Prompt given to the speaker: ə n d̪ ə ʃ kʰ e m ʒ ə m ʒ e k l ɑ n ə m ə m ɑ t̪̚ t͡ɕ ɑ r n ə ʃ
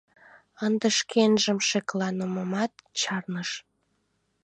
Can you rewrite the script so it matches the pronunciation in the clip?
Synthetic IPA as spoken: ə n d̪ ə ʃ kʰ e n ʒ ə m ʃ e k l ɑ n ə m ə m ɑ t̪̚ t͡ɕ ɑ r n ə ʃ